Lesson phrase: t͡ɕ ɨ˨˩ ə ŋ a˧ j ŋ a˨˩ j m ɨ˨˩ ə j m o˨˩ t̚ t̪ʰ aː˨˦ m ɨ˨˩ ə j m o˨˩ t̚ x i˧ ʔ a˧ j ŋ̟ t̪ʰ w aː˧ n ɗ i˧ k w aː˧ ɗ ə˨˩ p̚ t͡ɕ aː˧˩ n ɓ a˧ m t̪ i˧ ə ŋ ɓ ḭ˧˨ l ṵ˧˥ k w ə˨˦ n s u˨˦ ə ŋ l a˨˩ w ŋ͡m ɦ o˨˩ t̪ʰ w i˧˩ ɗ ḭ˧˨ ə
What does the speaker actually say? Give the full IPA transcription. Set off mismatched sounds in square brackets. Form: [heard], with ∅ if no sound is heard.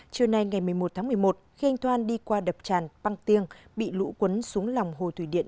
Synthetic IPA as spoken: t͡ɕ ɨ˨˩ ə [n] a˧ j ŋ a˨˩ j m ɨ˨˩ ə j m o˨˩ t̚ t̪ʰ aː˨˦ m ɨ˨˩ ə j m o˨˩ t̚ x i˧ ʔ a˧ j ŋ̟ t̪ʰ w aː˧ n ɗ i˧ k w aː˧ ɗ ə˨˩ p̚ t͡ɕ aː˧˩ n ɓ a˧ [ŋ] t̪ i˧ ə ŋ ɓ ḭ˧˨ l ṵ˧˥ k w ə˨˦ n s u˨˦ ə ŋ l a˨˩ w ŋ͡m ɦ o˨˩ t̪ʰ w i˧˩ ɗ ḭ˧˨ ə